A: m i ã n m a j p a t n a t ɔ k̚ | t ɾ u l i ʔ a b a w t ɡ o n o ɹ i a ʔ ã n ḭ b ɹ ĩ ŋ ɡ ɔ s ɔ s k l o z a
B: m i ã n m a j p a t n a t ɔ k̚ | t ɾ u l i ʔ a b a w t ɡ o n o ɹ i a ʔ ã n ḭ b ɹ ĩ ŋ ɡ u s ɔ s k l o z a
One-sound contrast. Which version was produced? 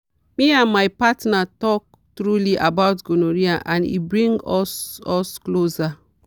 A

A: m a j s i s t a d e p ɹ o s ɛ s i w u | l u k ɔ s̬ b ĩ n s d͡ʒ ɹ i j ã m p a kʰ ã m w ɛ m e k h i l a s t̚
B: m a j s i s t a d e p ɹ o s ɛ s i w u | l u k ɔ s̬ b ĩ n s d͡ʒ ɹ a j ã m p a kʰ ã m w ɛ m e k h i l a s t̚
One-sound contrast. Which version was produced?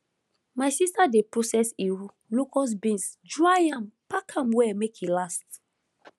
B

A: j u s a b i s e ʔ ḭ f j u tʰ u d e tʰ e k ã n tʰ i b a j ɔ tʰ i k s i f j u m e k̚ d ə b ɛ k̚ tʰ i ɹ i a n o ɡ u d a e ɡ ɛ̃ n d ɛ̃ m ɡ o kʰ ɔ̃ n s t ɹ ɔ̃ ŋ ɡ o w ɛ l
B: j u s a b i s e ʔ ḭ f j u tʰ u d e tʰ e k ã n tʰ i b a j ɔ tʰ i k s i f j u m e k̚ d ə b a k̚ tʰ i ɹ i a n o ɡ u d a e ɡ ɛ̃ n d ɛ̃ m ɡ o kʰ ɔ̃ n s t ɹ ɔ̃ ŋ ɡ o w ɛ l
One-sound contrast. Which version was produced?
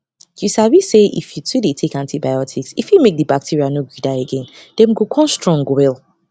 B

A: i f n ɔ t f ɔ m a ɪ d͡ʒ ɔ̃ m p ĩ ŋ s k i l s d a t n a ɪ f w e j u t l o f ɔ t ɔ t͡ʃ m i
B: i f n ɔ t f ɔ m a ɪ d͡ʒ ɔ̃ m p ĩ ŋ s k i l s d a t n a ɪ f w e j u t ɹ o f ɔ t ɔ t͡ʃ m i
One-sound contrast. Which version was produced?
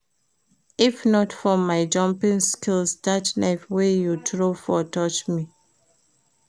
B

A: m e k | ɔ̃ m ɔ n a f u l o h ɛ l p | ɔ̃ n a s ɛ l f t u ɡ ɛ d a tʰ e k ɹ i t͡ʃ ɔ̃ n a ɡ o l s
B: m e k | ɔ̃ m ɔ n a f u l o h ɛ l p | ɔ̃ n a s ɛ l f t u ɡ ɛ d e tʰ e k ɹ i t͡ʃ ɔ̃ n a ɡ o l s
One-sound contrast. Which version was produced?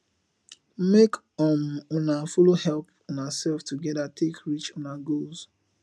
A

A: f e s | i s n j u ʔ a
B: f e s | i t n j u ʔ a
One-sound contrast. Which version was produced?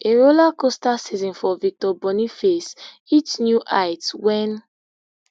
B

